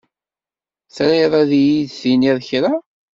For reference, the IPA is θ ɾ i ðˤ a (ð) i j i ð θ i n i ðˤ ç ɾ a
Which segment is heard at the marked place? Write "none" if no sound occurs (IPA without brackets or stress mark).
ð